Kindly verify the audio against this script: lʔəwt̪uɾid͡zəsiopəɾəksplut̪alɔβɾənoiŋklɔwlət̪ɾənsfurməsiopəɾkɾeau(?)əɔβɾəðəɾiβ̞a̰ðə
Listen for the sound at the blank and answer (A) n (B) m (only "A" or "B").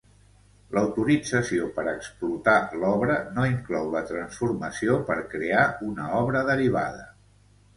A